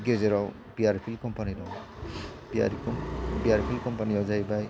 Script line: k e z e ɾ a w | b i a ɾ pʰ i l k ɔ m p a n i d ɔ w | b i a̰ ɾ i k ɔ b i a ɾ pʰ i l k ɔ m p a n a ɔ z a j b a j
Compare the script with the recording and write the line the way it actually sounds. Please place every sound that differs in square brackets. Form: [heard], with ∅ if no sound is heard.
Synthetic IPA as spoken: [ɡ] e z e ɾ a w | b i a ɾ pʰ i l k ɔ m p a n i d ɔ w | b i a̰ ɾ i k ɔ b i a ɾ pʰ i l k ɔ m p a n [i] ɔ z a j b a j